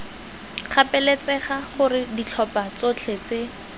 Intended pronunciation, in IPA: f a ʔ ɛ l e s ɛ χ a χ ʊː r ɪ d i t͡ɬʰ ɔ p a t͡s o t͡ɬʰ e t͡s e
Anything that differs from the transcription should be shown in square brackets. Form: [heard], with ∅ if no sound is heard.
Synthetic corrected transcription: [χ] a [p] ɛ l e [t͡s] ɛ χ a χ [ʊ] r ɪ d i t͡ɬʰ ɔ p a t͡s o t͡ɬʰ e t͡s e